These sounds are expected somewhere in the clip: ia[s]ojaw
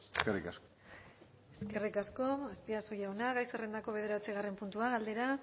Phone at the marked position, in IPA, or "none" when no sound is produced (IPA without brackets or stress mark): s